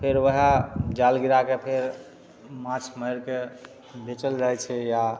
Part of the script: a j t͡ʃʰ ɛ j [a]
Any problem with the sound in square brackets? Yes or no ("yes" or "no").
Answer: no